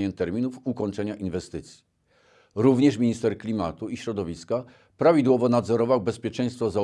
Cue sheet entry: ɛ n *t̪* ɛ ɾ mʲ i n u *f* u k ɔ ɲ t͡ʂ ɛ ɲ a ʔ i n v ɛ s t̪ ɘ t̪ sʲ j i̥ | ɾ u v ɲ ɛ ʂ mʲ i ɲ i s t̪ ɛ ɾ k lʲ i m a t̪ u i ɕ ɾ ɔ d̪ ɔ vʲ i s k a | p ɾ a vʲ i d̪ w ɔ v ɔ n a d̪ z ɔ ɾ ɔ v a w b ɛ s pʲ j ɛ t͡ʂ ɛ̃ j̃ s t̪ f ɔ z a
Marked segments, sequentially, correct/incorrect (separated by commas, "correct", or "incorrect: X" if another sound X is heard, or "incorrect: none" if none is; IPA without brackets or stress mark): correct, correct